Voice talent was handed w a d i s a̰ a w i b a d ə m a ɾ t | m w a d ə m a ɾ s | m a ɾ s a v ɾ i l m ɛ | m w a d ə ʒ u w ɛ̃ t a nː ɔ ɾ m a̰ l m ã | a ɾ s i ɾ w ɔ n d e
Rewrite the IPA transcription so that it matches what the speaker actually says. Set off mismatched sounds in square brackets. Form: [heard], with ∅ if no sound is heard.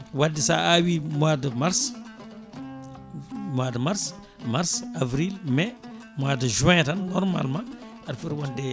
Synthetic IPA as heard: w a d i s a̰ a w i [m] a d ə m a ɾ [s] | m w a d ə m a ɾ s | m a ɾ s a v ɾ i l m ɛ | m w a d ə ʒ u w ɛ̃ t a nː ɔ ɾ m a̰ l m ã | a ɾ [f] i ɾ w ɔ n d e